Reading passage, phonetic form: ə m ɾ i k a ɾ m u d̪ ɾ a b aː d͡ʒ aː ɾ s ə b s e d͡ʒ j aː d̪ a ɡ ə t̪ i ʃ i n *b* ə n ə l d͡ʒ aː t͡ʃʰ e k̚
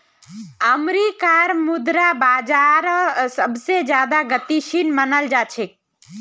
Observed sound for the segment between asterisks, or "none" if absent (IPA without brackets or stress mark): m